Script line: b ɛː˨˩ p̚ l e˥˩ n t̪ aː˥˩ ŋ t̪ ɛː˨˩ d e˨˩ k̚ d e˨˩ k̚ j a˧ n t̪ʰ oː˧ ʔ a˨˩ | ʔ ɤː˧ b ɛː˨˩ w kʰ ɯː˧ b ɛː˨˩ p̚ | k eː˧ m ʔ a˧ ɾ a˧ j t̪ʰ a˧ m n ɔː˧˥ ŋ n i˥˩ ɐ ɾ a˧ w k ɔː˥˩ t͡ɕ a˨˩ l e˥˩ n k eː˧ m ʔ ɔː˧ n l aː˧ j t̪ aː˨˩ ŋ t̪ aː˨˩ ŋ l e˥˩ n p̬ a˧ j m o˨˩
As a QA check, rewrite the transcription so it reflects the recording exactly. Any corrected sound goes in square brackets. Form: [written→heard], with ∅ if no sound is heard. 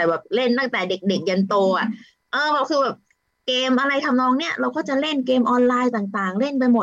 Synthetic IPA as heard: b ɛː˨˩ p̚ l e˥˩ n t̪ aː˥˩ ŋ t̪ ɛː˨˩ d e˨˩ k̚ d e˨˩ k̚ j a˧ n [t̪ʰ→t̪] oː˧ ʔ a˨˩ | ʔ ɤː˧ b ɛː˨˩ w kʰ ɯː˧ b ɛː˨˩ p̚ | k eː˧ m ʔ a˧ ɾ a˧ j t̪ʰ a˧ m n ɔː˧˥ ŋ n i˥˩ ɐ ɾ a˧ w k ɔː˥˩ t͡ɕ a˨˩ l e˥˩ n k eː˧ m ʔ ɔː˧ n l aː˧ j t̪ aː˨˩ ŋ t̪ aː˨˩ ŋ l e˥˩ n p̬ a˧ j m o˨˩